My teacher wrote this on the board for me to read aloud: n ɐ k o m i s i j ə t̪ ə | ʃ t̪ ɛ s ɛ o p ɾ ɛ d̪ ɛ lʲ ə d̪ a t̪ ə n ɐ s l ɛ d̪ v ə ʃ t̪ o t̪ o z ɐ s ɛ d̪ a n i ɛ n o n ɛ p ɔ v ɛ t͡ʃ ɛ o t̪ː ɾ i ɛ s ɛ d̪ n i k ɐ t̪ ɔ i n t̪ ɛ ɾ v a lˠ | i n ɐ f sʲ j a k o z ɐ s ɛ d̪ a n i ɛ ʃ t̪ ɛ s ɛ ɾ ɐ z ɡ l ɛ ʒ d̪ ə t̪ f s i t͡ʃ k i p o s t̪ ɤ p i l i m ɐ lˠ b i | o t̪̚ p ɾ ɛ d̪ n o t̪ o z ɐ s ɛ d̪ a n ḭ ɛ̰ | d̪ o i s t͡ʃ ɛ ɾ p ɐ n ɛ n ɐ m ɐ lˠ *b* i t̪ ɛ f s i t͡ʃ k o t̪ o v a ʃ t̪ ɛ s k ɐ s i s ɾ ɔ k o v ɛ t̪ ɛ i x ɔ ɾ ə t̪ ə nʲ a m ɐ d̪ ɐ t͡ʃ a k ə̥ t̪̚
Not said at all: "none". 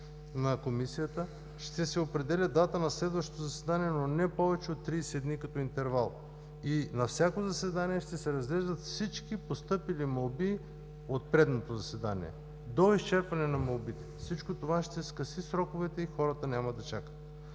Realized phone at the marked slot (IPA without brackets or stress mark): b